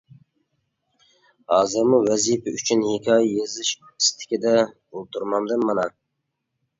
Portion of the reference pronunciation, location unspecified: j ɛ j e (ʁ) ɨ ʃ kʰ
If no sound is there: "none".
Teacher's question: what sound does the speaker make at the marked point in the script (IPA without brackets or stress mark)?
z